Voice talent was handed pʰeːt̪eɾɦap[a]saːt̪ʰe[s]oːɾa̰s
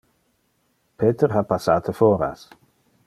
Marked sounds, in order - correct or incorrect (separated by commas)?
correct, incorrect